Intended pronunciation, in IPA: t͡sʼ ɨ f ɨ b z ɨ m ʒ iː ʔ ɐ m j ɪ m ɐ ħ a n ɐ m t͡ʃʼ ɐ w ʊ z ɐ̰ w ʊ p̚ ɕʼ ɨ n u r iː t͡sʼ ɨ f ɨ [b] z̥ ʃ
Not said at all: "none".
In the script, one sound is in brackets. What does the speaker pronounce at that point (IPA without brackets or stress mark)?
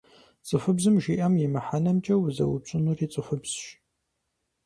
b